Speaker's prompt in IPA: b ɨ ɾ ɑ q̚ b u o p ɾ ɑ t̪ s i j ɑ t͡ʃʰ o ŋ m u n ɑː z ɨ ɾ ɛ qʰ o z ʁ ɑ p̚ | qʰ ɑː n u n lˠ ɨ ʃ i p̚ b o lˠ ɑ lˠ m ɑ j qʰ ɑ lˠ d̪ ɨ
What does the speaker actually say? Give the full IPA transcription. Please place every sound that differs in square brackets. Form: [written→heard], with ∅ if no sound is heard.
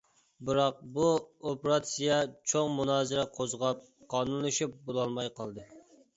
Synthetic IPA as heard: b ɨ ɾ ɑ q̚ b u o p ɾ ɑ t̪ s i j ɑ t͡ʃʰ o ŋ m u n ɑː z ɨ ɾ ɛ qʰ o z ʁ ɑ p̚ | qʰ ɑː n u n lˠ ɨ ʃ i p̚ b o lˠ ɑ lˠ m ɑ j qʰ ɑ lˠ d̪ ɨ

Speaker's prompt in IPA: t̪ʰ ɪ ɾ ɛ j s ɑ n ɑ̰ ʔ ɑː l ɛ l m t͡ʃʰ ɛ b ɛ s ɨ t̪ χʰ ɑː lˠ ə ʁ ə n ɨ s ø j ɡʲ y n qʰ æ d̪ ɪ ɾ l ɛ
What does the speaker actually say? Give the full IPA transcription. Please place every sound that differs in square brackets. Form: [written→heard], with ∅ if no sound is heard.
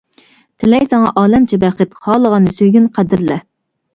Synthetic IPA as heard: t̪ʰ ɪ [ɾ→l] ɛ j s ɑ [n→ŋ] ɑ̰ ʔ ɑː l ɛ [l→∅] m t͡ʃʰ ɛ b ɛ [s→χ] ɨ t̪ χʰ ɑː lˠ ə ʁ [ə→ɑ] n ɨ s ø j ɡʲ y n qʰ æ d̪ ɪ ɾ l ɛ

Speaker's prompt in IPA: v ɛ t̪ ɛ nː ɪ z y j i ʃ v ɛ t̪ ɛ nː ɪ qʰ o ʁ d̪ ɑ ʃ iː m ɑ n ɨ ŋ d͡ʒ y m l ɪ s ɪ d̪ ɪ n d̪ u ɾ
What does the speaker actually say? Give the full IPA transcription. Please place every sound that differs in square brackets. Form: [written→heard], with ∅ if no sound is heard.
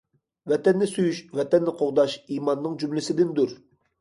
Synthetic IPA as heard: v ɛ t̪ ɛ nː ɪ [z→s] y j [i→y] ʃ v ɛ t̪ ɛ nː ɪ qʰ o ʁ d̪ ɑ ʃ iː m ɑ [n→nː] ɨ ŋ d͡ʒ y m l ɪ s ɪ d̪ ɪ n d̪ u ɾ

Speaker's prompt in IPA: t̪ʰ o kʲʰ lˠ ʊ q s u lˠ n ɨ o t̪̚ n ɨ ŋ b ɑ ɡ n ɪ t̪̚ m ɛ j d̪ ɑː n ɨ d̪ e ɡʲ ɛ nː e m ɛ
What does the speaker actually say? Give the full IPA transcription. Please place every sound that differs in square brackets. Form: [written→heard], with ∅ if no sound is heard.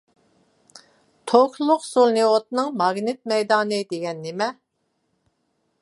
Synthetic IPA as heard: t̪ʰ o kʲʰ lˠ ʊ q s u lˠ n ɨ o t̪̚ n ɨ ŋ [b→m] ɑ ɡ n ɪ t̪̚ m ɛ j d̪ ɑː n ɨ d̪ e ɡʲ ɛ nː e m ɛ

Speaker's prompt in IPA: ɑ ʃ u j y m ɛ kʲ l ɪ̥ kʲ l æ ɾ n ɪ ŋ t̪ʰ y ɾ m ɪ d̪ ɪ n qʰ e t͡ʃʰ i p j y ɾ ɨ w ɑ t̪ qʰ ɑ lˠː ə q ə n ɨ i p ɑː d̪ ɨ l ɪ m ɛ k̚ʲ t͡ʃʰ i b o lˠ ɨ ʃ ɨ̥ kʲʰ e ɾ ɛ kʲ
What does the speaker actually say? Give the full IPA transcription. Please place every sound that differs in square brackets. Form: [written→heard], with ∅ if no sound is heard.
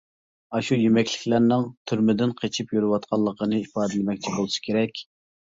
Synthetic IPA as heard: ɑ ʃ u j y m ɛ kʲ l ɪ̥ kʲ l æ ɾ n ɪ ŋ t̪ʰ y ɾ m ɪ d̪ ɪ n qʰ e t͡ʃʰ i p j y ɾ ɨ w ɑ t̪ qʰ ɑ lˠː ə q ə n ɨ i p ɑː d̪ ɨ l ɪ m ɛ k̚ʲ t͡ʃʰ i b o lˠ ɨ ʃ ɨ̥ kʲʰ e ɾ ɛ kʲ

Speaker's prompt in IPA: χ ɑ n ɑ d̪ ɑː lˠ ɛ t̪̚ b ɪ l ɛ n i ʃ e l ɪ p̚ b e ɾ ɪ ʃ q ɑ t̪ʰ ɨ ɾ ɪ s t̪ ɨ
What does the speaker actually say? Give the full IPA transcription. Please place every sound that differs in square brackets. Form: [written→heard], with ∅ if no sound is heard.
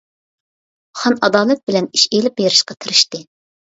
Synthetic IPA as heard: χ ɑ n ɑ d̪ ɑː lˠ ɛ t̪̚ b ɪ l ɛ n i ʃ e l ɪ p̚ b e ɾ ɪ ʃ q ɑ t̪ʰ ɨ ɾ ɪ [s→ʃ] t̪ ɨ

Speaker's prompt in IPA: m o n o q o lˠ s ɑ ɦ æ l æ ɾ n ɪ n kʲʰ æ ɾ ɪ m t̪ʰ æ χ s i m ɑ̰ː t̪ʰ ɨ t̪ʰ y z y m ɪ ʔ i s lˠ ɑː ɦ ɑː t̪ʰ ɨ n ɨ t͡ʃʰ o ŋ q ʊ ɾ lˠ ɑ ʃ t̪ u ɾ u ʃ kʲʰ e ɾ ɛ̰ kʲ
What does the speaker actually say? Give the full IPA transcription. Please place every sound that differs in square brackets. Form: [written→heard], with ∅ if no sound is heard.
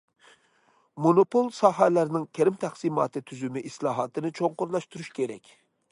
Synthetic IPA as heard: m o n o [q→p] o lˠ s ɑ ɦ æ l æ ɾ n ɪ [n→ŋ] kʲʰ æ ɾ ɪ m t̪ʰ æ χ s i m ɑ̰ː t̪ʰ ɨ t̪ʰ y z y m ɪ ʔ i s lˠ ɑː ɦ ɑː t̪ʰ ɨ n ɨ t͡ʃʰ o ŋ q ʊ ɾ lˠ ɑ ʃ t̪ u ɾ u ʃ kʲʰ e ɾ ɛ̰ kʲ

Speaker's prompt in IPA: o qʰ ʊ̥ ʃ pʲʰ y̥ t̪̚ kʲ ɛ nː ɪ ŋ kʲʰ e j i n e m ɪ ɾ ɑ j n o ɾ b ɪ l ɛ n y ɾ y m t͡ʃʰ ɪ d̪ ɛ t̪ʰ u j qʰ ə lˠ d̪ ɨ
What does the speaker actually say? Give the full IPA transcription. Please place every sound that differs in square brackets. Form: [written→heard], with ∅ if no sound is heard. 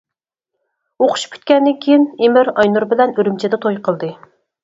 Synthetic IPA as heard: o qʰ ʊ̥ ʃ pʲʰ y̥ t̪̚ kʲ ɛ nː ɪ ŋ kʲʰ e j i n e m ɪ ɾ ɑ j n [o→u] ɾ b ɪ l ɛ n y ɾ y m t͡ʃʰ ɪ d̪ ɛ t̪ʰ [u→o] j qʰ ə lˠ d̪ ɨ

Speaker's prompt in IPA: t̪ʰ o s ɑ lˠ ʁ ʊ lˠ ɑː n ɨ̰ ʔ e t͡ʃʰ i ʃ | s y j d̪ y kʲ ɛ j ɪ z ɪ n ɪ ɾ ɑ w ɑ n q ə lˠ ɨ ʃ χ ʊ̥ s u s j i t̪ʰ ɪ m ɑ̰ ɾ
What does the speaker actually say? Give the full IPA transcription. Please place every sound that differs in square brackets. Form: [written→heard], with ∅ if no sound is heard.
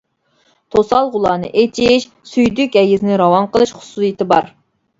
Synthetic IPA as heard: t̪ʰ o s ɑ lˠ ʁ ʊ lˠ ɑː n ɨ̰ ʔ e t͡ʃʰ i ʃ | s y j d̪ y kʲ ɛ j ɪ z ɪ n ɪ ɾ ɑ w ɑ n q ə lˠ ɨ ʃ χ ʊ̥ s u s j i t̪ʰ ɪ [m→b] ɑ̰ ɾ

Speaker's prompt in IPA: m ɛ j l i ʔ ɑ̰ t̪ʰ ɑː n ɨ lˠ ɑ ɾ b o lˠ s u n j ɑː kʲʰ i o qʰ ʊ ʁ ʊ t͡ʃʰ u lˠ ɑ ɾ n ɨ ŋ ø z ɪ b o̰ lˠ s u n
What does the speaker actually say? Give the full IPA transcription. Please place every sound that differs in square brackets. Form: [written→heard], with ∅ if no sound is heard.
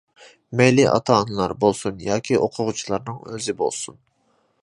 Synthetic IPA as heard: m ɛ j l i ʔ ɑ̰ t̪ʰ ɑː n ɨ lˠ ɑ ɾ b o lˠ s u n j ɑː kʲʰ i o qʰ ʊ ʁ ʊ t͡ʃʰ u lˠ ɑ ɾ n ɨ ŋ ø z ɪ b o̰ lˠ s u n

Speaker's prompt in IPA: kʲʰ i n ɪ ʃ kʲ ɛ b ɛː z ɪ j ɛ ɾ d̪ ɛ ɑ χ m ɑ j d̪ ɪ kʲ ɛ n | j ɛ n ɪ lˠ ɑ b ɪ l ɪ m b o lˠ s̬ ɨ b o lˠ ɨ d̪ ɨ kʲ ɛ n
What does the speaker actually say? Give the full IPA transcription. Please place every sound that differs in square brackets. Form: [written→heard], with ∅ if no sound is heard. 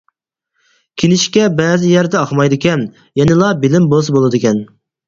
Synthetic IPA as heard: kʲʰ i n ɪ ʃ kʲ ɛ b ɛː z ɪ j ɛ ɾ d̪ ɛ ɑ χ m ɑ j d̪ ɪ kʲ ɛ n | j ɛ n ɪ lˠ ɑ b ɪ l ɪ m b o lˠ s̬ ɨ b o lˠ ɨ d̪ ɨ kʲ ɛ n

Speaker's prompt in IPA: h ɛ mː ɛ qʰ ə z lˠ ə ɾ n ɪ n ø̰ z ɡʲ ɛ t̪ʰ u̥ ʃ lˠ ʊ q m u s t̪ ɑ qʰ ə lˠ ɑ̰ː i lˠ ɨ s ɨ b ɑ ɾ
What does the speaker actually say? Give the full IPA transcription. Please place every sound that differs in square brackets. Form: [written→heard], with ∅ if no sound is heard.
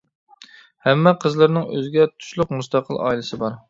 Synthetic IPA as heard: h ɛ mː ɛ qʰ ə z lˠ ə ɾ n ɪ [n→ŋ] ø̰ z ɡʲ ɛ t̪ʰ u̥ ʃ lˠ ʊ q m u s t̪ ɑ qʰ ə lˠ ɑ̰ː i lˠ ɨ s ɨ b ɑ ɾ

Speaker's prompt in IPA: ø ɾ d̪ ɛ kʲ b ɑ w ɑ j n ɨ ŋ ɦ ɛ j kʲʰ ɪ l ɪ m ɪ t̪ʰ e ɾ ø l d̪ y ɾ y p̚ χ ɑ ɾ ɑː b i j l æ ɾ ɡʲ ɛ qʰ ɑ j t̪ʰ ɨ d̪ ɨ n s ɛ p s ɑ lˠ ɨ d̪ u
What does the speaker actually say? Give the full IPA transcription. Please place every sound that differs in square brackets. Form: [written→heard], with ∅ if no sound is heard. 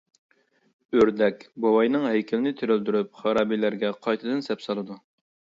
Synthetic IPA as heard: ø ɾ d̪ ɛ kʲ b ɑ w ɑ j n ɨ ŋ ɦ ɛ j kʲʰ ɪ l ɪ [m→n] ɪ t̪ʰ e ɾ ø l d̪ y ɾ y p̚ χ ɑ ɾ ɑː b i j l æ ɾ ɡʲ ɛ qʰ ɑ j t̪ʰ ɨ d̪ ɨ n s ɛ p s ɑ lˠ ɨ d̪ u

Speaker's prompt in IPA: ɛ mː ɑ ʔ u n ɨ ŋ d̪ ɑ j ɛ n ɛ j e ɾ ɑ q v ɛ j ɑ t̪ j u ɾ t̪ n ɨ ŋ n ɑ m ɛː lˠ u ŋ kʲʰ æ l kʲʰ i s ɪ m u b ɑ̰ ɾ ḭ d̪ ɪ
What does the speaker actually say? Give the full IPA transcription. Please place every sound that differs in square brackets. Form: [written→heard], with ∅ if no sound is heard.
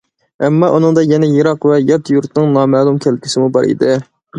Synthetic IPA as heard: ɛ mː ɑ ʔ u n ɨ ŋ d̪ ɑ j ɛ n ɛ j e ɾ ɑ q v ɛ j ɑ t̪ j u ɾ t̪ n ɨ ŋ n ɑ m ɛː lˠ u [ŋ→m] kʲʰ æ l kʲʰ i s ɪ m u b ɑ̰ ɾ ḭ d̪ ɪ

